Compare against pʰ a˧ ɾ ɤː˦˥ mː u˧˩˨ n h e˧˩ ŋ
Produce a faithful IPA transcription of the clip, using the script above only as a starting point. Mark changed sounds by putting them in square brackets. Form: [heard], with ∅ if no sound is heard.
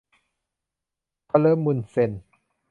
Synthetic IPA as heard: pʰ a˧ [l] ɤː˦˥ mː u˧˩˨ n [s] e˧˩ [n]